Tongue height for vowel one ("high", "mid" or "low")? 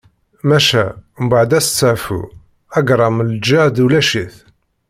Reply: low